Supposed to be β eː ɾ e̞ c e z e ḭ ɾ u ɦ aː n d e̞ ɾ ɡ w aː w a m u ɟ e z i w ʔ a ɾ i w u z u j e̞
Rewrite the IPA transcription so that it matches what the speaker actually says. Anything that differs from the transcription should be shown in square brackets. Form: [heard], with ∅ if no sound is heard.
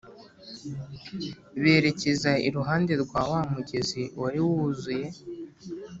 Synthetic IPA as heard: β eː ɾ e̞ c e z [a] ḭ ɾ u ɦ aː n d e̞ ɾ ɡ w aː w a m u ɟ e z i w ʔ a ɾ i w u z u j e̞